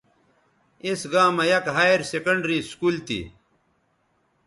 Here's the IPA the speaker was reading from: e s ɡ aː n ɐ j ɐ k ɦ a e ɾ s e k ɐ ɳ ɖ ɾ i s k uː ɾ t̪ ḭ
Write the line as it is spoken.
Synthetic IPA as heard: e s ɡ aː m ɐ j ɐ k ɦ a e ɾ s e k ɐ ɳ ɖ ɾ i s k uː l t̪ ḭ